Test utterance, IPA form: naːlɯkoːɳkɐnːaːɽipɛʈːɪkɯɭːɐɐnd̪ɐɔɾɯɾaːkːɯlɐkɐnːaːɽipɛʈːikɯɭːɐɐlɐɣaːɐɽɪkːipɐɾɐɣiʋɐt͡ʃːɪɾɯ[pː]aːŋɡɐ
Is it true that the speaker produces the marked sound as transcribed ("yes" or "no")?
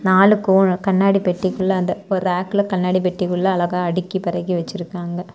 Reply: no